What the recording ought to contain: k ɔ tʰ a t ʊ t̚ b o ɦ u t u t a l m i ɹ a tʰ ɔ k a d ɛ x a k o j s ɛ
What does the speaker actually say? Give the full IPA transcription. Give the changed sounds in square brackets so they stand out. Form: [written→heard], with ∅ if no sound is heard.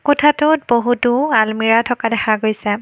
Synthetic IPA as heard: k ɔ tʰ a t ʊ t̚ b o ɦ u t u [t→∅] a l m i ɹ a tʰ ɔ k a d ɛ x a [k→ɡ] o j s ɛ